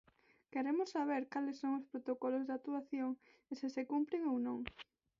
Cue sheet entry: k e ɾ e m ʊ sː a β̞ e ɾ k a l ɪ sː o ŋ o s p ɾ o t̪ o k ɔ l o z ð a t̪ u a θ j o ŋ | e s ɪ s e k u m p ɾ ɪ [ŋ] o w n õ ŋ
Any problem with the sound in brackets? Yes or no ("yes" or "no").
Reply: no